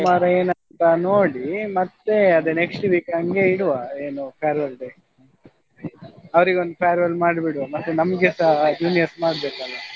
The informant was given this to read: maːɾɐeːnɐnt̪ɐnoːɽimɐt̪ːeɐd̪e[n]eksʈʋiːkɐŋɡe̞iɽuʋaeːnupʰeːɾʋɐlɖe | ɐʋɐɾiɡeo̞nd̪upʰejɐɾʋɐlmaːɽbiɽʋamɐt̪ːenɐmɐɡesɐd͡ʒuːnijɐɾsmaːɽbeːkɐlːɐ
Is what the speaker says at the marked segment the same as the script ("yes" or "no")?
yes